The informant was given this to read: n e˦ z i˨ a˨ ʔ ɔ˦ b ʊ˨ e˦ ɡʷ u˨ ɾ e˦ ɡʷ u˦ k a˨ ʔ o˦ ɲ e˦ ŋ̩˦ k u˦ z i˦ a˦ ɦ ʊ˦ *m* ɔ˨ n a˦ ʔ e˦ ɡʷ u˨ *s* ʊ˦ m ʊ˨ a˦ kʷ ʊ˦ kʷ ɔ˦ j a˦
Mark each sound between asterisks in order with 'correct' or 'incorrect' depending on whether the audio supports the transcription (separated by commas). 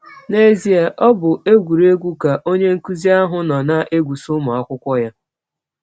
incorrect, correct